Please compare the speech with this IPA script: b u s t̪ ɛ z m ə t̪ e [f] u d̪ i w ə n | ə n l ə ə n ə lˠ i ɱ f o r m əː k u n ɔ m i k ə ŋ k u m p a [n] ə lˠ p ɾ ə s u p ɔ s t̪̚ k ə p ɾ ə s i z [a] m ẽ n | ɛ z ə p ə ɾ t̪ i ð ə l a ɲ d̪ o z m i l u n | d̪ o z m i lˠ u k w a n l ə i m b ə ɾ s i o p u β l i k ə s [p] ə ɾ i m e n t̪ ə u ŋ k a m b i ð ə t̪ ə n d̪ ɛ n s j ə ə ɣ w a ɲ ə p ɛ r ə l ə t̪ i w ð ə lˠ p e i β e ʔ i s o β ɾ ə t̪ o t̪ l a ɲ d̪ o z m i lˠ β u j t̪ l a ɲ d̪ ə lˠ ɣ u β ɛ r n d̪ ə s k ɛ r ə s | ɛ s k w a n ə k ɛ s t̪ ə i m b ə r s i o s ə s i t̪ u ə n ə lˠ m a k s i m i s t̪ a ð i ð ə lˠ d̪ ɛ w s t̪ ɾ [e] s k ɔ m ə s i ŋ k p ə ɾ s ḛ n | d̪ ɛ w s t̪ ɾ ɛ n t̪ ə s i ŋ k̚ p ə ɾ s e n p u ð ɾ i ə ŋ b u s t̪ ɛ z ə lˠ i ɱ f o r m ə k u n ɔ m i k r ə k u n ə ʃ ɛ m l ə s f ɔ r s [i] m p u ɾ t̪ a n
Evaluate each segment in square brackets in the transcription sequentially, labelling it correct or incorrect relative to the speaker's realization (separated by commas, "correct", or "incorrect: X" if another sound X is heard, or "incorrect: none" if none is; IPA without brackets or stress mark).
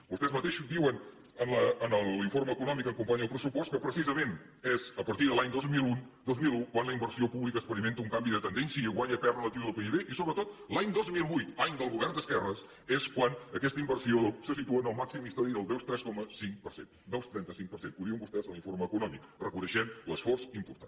incorrect: ʃ, incorrect: ɲ, incorrect: ə, correct, incorrect: ɛ, correct